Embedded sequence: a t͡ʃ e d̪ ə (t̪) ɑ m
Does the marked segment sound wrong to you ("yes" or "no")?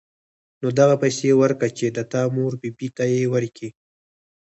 no